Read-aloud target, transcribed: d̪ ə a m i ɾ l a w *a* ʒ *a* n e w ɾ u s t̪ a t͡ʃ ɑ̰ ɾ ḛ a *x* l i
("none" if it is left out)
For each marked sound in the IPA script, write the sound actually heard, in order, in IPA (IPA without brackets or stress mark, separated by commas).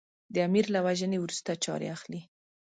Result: a, ə, x